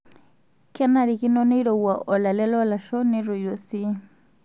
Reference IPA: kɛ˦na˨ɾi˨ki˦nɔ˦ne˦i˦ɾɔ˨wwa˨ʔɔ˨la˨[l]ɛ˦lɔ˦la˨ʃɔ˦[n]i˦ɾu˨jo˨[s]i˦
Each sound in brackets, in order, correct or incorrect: correct, correct, correct

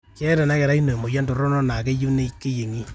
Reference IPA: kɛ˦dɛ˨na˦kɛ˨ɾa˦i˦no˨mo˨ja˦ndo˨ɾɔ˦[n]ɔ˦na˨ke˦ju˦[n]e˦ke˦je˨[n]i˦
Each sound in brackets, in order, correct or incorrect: correct, correct, incorrect

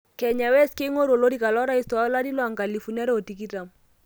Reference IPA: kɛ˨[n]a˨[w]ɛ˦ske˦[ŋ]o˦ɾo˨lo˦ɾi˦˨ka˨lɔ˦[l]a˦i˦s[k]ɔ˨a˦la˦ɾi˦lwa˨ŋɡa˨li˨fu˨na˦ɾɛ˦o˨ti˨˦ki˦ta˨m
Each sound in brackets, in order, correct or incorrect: incorrect, correct, correct, incorrect, incorrect

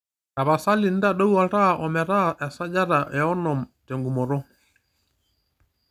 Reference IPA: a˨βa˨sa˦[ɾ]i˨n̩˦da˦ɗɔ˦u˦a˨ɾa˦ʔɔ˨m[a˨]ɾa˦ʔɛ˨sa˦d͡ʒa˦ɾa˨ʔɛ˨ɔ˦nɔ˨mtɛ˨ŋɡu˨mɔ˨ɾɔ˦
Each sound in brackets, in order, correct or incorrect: incorrect, incorrect

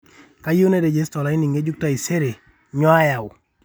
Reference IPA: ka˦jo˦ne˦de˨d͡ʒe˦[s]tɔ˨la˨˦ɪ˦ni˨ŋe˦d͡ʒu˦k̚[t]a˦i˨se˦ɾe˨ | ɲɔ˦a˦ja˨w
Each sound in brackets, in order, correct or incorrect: correct, correct

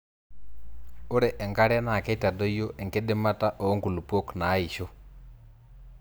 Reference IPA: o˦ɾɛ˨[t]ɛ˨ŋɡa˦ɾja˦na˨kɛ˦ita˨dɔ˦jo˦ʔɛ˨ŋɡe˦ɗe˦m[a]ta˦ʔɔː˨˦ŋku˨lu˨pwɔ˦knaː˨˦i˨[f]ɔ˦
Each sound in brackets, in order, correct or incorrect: incorrect, correct, incorrect

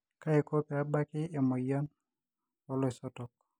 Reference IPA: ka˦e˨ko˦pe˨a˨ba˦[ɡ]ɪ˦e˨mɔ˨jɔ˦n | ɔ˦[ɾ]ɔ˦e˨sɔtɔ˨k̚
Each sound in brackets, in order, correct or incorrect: incorrect, incorrect

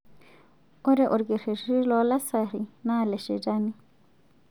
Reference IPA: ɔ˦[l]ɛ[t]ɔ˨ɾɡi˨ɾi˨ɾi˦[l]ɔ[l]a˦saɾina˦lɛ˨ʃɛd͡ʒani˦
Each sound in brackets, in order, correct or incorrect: incorrect, incorrect, correct, correct

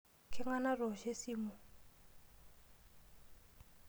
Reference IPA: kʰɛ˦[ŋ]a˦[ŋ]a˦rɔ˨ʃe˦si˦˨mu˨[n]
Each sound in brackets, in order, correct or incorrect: correct, incorrect, incorrect

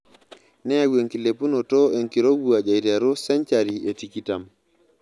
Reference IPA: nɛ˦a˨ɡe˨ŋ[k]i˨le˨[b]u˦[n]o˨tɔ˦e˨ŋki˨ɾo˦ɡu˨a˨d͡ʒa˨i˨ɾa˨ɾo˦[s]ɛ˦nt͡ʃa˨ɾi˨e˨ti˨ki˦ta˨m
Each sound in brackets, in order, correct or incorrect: correct, incorrect, correct, correct

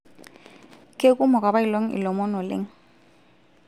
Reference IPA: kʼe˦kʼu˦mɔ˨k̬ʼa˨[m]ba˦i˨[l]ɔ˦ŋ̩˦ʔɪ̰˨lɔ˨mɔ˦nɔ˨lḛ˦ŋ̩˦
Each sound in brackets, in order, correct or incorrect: incorrect, correct

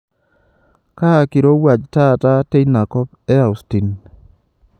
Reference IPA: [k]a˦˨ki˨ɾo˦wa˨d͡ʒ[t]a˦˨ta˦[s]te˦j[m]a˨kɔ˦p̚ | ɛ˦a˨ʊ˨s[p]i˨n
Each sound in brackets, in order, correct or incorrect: correct, correct, incorrect, incorrect, incorrect

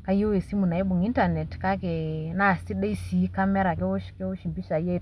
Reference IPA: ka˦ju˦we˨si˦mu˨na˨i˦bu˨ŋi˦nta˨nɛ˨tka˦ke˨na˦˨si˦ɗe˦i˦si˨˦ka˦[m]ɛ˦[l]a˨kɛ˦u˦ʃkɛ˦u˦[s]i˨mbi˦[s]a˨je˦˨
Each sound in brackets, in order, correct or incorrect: correct, incorrect, incorrect, incorrect

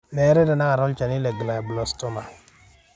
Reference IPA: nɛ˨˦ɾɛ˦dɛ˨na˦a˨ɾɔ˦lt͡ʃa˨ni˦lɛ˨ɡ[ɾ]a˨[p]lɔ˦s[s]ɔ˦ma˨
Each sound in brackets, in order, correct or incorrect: incorrect, incorrect, incorrect

